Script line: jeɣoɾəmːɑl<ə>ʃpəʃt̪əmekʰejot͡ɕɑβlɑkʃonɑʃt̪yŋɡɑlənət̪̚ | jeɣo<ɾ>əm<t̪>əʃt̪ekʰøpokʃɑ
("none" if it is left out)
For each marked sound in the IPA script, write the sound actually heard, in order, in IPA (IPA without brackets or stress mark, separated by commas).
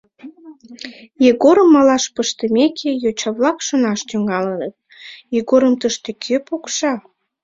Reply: ɑ, ɾ, t̪